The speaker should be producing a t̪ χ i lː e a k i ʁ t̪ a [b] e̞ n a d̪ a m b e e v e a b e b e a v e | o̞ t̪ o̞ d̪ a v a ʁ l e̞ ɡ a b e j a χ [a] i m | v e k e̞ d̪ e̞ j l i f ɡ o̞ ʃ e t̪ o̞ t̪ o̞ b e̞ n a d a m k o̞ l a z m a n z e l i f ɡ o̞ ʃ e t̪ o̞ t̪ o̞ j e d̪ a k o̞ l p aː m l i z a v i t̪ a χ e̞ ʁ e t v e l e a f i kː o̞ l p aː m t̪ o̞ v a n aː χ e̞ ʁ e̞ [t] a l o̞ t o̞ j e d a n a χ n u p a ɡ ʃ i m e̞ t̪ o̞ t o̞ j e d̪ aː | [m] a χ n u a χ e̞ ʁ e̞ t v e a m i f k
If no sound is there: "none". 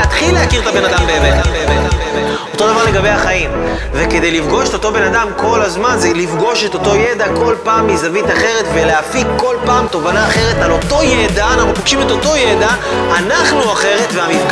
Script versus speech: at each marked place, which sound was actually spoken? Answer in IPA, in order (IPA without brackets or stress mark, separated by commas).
b, a, t, n